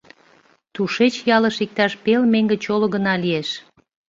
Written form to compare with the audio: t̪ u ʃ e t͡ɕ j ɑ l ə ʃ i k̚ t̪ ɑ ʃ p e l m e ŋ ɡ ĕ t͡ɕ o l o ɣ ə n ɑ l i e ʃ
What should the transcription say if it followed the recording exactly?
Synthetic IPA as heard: t̪ u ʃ e t͡ɕ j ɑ l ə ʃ i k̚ t̪ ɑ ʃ p e l m e ŋ ɡ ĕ t͡ɕ o l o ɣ ə n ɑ l i e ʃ

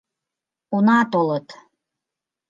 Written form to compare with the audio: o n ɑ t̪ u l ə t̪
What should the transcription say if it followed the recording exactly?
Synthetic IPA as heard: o n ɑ t̪ o l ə t̪

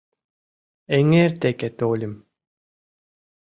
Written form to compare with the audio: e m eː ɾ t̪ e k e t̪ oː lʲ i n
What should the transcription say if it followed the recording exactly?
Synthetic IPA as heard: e ŋ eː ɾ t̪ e k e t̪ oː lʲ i m

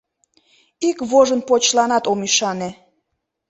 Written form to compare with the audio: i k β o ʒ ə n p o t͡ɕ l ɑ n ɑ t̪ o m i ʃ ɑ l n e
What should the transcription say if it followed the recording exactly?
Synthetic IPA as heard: i k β o ʒ ə n p o t͡ɕ l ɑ n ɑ t̪ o m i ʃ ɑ n e

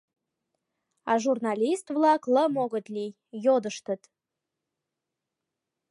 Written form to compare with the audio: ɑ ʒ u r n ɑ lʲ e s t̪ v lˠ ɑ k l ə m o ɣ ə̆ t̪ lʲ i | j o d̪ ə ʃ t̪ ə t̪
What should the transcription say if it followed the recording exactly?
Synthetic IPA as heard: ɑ ʒ u r n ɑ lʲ i s t̪ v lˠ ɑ k l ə m o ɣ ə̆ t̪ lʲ i | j o d̪ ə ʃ t̪ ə t̪

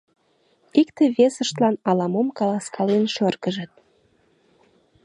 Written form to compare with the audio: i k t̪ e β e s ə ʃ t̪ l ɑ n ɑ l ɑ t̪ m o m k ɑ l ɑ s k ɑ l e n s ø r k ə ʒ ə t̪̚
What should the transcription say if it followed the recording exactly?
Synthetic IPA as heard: i k t̪ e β e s ə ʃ t̪ l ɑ n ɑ l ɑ m o m k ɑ l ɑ s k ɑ l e n ʃ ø r k ə ʒ ə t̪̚

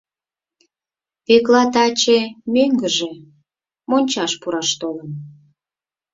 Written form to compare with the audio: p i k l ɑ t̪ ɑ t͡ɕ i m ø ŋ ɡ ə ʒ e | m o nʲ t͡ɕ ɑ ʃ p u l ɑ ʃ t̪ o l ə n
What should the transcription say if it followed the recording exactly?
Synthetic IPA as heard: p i k l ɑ t̪ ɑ t͡ɕ e m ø ŋ ɡ ə ʒ e | m o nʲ t͡ɕ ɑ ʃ p u ɾ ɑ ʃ t̪ o l ə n

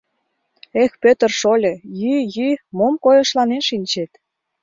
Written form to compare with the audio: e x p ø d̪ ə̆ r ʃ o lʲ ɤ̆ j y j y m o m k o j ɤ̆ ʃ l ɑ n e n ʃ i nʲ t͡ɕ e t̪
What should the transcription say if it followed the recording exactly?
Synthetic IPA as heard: e x p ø t̪ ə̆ r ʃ o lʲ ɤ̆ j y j y m o m k o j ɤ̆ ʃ l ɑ n e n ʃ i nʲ t͡ɕ e t̪

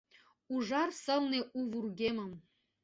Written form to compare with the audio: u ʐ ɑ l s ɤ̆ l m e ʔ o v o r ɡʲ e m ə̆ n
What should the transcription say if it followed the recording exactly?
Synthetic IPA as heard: u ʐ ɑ r s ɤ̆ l n e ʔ u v u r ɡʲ e m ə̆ m

